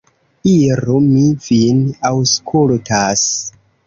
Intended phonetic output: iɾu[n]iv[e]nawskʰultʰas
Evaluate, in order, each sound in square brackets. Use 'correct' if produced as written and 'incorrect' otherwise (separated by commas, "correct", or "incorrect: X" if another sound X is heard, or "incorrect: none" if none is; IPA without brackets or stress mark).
incorrect: m, incorrect: i